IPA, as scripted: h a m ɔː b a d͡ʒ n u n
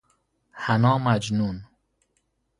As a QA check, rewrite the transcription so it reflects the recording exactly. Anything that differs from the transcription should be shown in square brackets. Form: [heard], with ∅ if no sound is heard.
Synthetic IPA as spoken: h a [n] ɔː [m] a d͡ʒ n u n